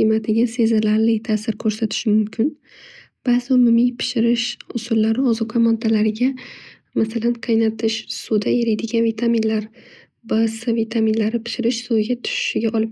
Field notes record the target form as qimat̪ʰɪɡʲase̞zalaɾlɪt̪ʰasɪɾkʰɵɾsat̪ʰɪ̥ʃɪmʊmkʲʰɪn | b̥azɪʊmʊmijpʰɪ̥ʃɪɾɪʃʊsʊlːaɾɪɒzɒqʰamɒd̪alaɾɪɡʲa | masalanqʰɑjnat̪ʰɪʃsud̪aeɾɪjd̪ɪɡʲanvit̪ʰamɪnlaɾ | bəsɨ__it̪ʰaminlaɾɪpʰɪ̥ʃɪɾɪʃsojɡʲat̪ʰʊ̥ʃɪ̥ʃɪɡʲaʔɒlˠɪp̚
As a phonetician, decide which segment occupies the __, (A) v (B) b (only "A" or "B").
A